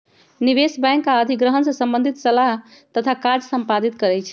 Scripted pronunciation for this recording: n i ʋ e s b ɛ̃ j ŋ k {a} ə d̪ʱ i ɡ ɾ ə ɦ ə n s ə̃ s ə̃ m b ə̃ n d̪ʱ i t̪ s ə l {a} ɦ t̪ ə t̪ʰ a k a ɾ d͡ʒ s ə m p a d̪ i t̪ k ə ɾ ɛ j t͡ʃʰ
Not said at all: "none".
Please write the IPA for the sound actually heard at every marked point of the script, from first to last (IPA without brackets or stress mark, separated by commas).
a, a